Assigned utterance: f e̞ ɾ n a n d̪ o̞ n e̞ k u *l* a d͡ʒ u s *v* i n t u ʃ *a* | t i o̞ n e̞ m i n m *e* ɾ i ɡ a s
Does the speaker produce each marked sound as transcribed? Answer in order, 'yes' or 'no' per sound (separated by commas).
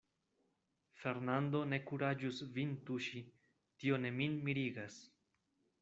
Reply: no, yes, no, no